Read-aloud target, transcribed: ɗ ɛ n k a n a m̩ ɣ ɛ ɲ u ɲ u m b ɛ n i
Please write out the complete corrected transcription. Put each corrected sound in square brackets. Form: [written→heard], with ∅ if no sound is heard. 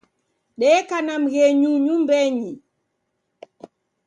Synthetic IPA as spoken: ɗ ɛ [n→∅] k a n a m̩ ɣ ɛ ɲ u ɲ u m b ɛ [n→ɲ] i